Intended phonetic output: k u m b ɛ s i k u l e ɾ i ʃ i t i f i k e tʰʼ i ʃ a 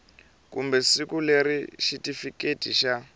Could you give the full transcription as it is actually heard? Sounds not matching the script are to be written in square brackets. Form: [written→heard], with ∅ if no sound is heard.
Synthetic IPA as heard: k u m b ɛ s i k u l e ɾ i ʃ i t i f i k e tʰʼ i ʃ a